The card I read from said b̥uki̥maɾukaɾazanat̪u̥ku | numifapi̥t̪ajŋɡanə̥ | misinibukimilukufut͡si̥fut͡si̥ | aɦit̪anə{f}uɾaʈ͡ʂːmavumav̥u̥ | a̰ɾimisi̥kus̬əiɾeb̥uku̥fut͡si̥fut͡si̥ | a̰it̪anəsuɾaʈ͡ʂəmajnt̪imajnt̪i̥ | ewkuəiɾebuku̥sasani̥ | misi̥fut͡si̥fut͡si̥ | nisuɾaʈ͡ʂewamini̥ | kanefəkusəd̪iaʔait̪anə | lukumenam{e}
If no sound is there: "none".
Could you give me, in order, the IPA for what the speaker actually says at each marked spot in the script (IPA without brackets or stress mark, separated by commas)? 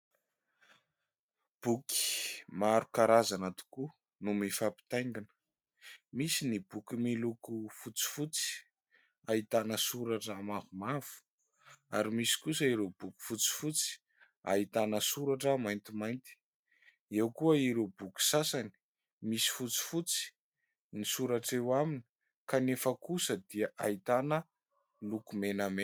s, e